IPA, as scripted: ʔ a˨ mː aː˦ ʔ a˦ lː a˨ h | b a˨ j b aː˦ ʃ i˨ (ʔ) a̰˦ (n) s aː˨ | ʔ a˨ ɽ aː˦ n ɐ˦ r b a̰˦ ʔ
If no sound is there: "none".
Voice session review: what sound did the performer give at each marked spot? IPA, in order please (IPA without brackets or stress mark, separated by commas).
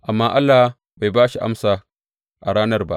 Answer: ʔ, m